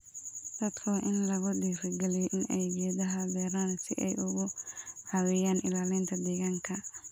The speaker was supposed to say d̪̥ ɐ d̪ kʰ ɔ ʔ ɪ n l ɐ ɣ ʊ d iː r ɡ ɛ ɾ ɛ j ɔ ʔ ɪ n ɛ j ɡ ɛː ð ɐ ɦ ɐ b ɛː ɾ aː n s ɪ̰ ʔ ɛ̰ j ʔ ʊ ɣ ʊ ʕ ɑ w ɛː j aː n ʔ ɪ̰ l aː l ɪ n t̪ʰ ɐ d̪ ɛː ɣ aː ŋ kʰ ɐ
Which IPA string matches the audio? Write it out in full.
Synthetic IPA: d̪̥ ɐ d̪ kʰ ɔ ʔ ɪ n l ɐ ɣ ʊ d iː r ɡ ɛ l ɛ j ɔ ʔ ɪ n ɛ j ɡ ɛː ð ɐ ɦ ɐ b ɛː ɾ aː n s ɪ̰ ʔ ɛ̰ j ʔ ʊ ɣ ʊ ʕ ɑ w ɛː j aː n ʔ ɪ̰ l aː l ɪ n t̪ʰ ɐ d̪ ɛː ɣ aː ŋ kʰ ɐ